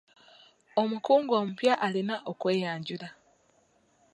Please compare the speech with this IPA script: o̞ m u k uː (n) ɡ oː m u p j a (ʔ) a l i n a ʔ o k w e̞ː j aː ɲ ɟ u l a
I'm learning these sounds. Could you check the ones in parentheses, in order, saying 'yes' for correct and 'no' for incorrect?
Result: no, yes

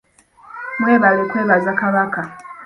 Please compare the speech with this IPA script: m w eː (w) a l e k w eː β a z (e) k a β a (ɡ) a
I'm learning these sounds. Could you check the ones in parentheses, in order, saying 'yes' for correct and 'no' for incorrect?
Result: no, no, no

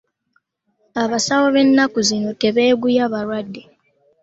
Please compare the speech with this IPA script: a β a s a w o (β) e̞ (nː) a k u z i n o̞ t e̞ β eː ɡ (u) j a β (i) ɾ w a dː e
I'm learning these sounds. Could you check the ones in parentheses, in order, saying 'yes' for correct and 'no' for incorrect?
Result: yes, yes, yes, no

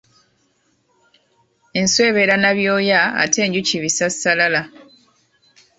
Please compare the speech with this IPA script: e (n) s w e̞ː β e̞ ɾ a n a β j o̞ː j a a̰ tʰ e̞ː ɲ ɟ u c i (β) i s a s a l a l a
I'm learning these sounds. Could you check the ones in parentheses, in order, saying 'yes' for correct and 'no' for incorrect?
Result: yes, yes

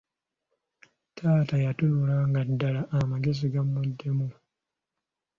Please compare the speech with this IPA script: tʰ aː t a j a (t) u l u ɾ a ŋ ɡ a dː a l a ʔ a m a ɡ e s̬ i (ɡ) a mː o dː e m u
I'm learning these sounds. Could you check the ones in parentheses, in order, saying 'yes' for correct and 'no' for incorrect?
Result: yes, yes

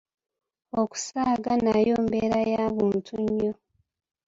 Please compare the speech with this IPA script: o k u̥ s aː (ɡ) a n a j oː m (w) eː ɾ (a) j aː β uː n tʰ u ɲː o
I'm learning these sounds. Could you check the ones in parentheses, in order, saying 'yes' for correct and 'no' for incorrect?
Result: yes, no, yes

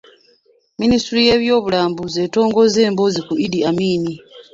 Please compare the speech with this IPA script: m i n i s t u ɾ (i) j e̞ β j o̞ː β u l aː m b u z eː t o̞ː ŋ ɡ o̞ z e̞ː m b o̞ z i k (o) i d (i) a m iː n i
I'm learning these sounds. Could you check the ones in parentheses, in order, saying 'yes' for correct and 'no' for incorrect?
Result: yes, no, yes

